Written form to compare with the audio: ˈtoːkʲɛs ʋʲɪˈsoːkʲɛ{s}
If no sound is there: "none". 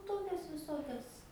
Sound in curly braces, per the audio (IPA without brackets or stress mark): s